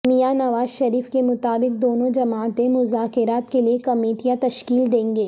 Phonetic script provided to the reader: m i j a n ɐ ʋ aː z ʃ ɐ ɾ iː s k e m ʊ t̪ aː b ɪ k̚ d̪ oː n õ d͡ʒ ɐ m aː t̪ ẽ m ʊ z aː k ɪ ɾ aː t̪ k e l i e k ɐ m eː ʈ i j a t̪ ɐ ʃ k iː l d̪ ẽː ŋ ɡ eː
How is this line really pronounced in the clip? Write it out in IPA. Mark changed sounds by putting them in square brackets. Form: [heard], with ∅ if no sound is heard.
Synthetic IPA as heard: m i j a n ɐ ʋ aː z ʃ ɐ ɾ iː [f] k e m ʊ t̪ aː b ɪ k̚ d̪ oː n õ d͡ʒ ɐ m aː t̪ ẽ m ʊ z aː k ɪ ɾ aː t̪ k e l i e k ɐ m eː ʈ i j a t̪ ɐ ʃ k iː l d̪ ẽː ŋ ɡ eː

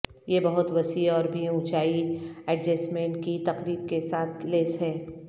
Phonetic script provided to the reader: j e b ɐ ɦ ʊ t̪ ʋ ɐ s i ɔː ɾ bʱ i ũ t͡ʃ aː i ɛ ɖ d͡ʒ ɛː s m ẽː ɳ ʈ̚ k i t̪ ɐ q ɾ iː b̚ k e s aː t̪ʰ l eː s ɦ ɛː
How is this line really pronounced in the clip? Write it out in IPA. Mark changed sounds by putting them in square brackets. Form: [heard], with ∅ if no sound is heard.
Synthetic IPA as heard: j e b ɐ ɦ ʊ t̪ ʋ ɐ s i ɔː ɾ bʱ i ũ t͡ʃ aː i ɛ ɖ d͡ʒ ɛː s m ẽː ɳ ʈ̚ k i t̪ ɐ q ɾ iː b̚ k e s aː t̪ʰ l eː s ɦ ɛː

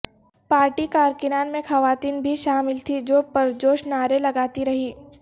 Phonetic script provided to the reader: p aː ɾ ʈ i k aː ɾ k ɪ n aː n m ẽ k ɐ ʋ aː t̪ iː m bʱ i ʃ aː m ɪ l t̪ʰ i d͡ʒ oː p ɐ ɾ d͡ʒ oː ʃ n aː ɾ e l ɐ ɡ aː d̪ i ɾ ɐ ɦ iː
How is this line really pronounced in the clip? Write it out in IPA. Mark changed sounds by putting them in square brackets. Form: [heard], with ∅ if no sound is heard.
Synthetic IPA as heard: p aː ɾ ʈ i k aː ɾ k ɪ n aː n m ẽ [x] ɐ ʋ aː t̪ iː [n] bʱ i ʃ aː m ɪ l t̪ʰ i d͡ʒ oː p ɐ ɾ d͡ʒ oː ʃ n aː ɾ e l ɐ ɡ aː [t̪] i ɾ ɐ ɦ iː

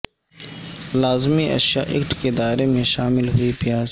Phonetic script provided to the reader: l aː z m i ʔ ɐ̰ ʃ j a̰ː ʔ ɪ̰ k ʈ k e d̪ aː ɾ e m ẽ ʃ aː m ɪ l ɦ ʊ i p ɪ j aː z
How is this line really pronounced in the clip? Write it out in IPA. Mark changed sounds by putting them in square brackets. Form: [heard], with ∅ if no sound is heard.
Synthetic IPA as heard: l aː z m i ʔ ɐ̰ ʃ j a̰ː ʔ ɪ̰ k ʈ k e d̪ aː ɾ e m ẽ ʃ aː m ɪ l ɦ ʊ i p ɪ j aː z

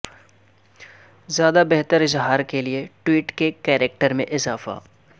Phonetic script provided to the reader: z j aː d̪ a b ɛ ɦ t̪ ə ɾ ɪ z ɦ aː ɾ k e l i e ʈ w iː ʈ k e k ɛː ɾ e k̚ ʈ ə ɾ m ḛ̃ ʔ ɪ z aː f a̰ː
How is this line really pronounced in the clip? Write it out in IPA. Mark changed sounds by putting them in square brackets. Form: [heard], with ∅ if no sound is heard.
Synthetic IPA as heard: z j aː d̪ a b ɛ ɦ t̪ ə ɾ ɪ z ɦ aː ɾ k e l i e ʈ w iː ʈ k e k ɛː ɾ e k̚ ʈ ə ɾ m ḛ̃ ʔ ɪ z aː f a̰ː

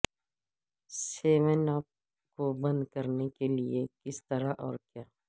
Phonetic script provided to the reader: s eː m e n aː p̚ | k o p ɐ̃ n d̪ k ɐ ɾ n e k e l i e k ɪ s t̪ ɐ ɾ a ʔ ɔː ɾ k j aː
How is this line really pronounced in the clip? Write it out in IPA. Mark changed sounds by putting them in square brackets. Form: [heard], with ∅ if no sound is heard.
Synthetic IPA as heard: s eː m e n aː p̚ | k o [b] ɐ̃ n d̪ k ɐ ɾ n e k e l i e k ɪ s t̪ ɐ ɾ a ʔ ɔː ɾ k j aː

